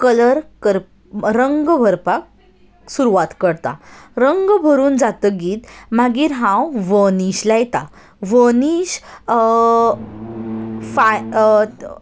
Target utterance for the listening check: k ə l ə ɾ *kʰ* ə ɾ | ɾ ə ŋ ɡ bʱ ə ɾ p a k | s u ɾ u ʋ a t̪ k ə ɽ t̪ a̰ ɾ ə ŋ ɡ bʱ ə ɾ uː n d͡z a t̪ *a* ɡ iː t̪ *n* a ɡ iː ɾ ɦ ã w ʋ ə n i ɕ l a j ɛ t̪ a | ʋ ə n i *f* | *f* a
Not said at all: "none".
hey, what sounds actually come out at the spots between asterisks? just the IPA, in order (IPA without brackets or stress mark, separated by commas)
k, ə, m, ɕ, f